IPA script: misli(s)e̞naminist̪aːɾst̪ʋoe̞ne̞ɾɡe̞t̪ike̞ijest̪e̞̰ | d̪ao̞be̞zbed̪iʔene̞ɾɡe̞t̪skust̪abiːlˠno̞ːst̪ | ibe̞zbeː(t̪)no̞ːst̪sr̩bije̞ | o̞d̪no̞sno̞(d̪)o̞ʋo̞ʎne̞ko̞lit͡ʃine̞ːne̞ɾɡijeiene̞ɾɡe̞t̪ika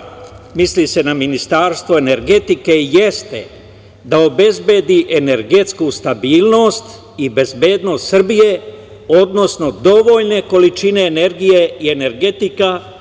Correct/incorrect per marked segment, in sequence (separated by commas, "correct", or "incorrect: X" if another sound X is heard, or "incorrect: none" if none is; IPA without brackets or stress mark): correct, incorrect: d̪, correct